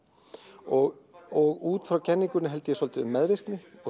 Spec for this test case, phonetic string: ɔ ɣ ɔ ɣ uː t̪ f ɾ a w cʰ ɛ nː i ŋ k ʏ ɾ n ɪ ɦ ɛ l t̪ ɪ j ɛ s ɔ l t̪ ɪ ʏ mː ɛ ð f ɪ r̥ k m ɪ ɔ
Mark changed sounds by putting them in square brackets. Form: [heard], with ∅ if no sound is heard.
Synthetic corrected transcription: ɔ ɣ ɔ ɣ uː t̪ f ɾ a w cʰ ɛ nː i ŋ k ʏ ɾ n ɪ ɦ ɛ l t̪ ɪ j ɛ s ɔ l t̪ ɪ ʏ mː ɛ ð [v] ɪ r̥ k [n] ɪ ɔ

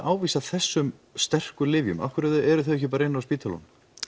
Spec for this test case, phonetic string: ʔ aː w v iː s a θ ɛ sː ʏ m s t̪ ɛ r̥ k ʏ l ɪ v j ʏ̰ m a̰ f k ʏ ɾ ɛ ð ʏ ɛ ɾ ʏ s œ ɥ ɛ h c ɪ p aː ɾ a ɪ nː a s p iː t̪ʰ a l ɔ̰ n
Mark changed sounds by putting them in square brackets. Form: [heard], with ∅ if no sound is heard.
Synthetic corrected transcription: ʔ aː w v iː s a θ ɛ sː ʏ m s t̪ ɛ r̥ k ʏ l ɪ v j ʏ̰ m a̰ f k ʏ ɾ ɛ ð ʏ ɛ ɾ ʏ [θ] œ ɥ ɛ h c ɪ p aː ɾ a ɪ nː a s p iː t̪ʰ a l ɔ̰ n

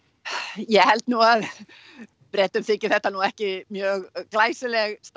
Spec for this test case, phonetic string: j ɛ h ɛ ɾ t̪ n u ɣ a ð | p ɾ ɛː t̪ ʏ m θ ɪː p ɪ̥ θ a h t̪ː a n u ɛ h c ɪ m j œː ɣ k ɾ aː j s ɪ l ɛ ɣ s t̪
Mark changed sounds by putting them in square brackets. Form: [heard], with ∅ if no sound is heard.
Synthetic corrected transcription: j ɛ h ɛ [l] t̪ n u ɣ a ð | p ɾ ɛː t̪ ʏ m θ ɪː [c] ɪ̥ θ [ɛ] h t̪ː a n u ɛ h c ɪ m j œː ɣ k [l] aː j s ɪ l ɛ ɣ s t̪

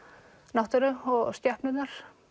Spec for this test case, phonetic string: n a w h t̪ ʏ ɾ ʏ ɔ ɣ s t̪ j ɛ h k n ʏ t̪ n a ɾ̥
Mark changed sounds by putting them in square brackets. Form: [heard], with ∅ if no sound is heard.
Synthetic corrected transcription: n a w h t̪ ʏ ɾ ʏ ɔ ɣ s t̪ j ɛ h [p] n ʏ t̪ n a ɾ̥

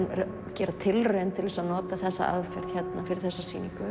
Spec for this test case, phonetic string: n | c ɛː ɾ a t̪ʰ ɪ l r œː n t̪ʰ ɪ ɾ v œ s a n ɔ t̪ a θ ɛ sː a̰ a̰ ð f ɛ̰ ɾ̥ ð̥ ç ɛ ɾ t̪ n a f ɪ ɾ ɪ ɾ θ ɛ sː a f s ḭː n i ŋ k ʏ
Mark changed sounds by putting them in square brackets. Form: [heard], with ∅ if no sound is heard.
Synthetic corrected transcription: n | c ɛː ɾ a t̪ʰ ɪ l r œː n t̪ʰ ɪ [l] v [ɛ] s a n [ɔː] t̪ a θ ɛ sː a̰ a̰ ð f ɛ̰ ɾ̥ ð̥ ç ɛ [∅] t̪ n a f ɪ ɾ ɪ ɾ θ ɛ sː a [∅] s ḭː n i ŋ k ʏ

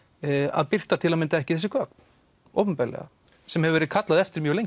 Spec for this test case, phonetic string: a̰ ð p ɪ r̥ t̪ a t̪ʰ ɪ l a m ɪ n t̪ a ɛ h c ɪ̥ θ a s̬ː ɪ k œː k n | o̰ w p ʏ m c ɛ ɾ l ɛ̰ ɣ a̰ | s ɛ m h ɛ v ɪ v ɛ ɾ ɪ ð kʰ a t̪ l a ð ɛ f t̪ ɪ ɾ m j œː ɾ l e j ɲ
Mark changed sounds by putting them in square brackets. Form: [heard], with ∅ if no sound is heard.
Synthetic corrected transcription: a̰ ð p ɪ r̥ t̪ a t̪ʰ ɪ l a m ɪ n t̪ a ɛ h c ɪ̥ θ [ɛ] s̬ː ɪ k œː k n | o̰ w p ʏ m [p] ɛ ɾ l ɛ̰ ɣ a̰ | s ɛ m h ɛ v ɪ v ɛ ɾ ɪ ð kʰ a t̪ l a ð ɛ f t̪ ɪ ɾ m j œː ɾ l e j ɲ

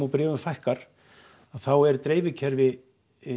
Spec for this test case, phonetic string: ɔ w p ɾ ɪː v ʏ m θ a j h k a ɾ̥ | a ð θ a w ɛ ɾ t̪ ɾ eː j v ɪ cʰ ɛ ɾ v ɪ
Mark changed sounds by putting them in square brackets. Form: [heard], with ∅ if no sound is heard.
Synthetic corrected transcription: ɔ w p ɾ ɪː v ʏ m [f] a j h k a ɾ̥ | a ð θ a w ɛ ɾ t̪ ɾ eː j v ɪ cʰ ɛ ɾ v ɪ

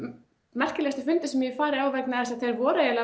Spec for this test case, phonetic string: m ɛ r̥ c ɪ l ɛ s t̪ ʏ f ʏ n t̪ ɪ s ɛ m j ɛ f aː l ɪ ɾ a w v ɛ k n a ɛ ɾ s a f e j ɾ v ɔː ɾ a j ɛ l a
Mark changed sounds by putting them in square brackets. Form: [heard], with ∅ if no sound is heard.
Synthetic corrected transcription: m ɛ r̥ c ɪ l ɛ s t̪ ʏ f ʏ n t̪ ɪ s ɛ m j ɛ f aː [ɾ] ɪ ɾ a w v ɛ k n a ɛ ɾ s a [θ] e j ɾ v ɔː ɾ a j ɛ l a

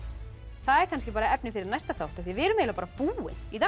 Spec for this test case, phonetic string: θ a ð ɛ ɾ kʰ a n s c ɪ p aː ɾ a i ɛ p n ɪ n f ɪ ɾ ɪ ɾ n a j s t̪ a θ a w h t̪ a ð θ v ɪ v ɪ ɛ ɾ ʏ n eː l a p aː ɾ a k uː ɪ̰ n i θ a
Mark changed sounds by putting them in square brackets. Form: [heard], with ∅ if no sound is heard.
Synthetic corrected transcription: θ a ð ɛ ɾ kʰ a n s c ɪ p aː ɾ a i ɛ p n ɪ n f ɪ ɾ ɪ ɾ n a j s t̪ a θ a w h t̪ a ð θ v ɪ v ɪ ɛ ɾ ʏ [m] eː l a p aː ɾ a [p] uː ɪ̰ n i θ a

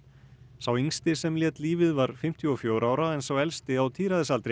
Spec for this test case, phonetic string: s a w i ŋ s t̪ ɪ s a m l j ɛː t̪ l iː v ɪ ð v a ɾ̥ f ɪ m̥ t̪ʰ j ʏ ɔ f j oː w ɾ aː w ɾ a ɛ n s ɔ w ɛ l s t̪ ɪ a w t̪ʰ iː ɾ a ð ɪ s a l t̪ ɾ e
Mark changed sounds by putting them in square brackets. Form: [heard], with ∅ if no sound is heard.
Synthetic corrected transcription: s a w i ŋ s t̪ ɪ s [ɛ] m l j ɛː t̪ l iː v ɪ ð v a ɾ̥ f ɪ m̥ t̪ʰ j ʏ ɔ f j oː w ɾ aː w ɾ a ɛ n s ɔ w ɛ l s t̪ ɪ a w t̪ʰ iː ɾ a ð ɪ s a l t̪ ɾ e

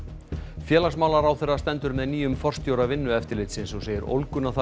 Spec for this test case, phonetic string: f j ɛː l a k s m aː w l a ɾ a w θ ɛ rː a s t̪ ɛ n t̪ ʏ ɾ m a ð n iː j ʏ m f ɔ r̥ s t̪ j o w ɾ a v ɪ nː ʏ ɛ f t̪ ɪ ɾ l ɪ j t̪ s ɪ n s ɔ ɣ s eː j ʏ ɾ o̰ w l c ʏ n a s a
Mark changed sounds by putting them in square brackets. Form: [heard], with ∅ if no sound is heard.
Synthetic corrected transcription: f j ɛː l a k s m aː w l a ɾ a w θ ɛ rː a s t̪ ɛ n t̪ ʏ ɾ m [ɛ] ð n iː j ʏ m f ɔ r̥ s t̪ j o w ɾ a v ɪ nː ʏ ɛ f t̪ ɪ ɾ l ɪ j t̪ s ɪ n s ɔ ɣ s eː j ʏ ɾ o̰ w l [k] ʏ n a [θ] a

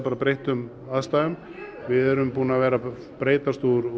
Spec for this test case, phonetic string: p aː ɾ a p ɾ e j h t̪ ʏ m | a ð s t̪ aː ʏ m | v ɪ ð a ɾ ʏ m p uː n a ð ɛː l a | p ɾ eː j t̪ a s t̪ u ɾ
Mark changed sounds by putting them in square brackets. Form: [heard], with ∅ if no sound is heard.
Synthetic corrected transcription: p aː ɾ a p ɾ e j h t̪ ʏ m | a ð s t̪ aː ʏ m | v ɪ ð [ɛ] ɾ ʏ m p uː n a [v] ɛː [ɾ] a | p ɾ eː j t̪ a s t̪ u ɾ

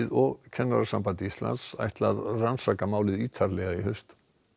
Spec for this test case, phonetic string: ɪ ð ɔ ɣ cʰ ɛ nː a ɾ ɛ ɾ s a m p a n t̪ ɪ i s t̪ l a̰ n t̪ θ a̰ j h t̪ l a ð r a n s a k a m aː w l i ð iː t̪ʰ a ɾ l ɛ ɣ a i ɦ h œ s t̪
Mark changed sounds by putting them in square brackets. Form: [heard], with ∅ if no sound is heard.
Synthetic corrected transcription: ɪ ð ɔ ɣ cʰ ɛ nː a ɾ [a] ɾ s a m p a n t̪ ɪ i s t̪ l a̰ n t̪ [s] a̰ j h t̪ l a ð r a n s a k a m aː w l [ɪ] ð iː t̪ʰ a ɾ l ɛ ɣ a i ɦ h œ s t̪

